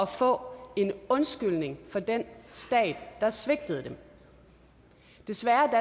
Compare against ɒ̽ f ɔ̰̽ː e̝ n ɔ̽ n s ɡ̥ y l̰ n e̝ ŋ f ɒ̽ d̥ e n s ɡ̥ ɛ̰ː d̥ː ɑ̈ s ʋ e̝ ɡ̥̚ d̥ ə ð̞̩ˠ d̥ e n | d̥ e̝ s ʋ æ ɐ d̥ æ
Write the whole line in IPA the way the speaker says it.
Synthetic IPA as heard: ɒ̽ f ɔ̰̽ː e̝ n ɔ̽ n s ɡ̥ y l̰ n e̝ ŋ f ɒ̽ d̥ e n s d̥ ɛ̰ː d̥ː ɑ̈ s ʋ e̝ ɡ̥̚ d̥ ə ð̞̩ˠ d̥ e m | d̥ e̝ s ʋ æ ɐ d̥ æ